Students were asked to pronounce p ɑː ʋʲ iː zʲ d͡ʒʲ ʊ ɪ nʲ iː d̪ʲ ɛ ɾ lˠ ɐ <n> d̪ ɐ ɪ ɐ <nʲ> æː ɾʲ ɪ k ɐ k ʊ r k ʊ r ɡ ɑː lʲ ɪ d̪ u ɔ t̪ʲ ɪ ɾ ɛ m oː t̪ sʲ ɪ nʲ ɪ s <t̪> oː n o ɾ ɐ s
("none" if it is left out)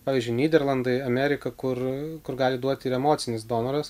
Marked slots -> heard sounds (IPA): n, mʲ, d̪

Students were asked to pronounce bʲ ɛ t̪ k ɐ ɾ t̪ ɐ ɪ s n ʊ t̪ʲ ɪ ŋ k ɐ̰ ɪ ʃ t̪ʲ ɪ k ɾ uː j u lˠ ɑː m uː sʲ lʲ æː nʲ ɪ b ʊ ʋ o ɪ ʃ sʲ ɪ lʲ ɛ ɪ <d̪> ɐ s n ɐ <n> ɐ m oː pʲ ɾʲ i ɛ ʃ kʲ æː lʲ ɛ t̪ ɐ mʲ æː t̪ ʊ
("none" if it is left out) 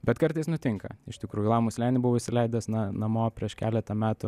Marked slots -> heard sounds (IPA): d̪, n

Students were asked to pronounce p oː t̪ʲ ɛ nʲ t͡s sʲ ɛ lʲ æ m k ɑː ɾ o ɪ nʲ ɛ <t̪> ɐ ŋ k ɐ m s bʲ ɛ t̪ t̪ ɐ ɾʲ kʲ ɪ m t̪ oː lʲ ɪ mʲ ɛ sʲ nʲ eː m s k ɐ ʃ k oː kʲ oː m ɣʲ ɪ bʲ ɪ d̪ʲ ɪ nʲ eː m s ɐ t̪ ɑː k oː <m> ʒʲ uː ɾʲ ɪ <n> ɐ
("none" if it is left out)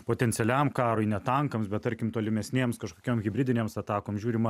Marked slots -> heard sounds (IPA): t̪, m, m

